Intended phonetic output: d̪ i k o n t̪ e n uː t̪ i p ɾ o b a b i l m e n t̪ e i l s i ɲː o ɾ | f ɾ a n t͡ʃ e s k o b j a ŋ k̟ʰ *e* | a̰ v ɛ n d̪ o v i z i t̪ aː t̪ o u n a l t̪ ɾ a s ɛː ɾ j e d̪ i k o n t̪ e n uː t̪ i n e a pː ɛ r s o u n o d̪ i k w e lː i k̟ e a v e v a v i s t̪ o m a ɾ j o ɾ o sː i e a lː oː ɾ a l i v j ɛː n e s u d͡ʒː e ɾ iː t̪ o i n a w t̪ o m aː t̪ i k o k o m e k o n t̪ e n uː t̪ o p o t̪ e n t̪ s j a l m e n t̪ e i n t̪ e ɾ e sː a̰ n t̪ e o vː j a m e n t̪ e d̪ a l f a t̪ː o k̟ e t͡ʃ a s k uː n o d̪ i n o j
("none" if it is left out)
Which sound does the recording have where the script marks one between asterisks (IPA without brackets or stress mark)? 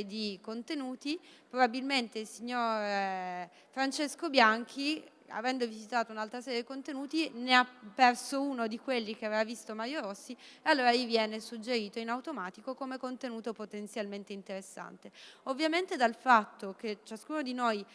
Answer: i